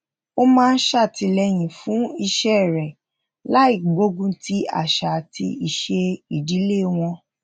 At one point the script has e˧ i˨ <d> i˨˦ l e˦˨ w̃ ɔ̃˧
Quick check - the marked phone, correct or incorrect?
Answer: correct